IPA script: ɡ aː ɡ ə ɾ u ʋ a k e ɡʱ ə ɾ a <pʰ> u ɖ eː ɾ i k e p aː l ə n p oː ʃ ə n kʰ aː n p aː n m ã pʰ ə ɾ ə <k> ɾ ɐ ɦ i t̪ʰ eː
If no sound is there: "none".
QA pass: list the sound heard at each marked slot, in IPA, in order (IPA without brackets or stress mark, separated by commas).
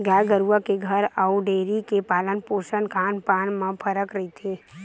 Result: none, k